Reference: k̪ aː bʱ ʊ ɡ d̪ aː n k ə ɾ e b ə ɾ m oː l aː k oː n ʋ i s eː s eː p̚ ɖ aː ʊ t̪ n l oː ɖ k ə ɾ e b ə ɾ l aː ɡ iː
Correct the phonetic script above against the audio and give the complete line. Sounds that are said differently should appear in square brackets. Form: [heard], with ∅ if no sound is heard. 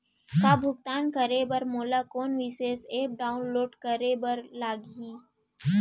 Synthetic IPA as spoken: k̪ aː bʱ ʊ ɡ [t̪] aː n k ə ɾ e b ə ɾ m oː l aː k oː n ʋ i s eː s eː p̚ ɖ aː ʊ [∅] n l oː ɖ k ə ɾ e b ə ɾ l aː ɡ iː